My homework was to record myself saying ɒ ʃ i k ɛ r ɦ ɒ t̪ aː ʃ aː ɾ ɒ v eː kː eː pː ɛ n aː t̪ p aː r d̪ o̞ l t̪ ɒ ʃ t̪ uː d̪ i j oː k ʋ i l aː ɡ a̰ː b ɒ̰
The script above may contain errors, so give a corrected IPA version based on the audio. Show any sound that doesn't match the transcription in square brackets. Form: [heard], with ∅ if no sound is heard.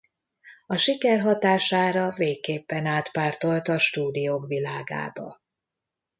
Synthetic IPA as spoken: ɒ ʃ i k ɛ r ɦ ɒ t̪ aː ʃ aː ɾ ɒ v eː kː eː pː ɛ n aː t̪ p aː r [t̪] o̞ l t̪ ɒ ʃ t̪ uː d̪ i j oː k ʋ i l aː ɡ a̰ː b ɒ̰